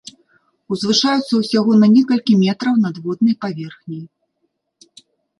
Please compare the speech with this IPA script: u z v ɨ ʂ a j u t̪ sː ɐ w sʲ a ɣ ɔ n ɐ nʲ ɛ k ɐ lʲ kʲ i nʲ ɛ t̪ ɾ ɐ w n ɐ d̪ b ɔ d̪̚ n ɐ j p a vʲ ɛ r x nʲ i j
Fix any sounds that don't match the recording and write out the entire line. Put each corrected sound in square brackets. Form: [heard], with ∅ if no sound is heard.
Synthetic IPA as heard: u z v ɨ ʂ a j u t̪ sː ɐ w sʲ a ɣ ɔ n ɐ nʲ ɛ k ɐ lʲ kʲ i [mʲ] ɛ t̪ ɾ ɐ w n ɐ d̪ [v] ɔ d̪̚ n ɐ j p a vʲ ɛ r x nʲ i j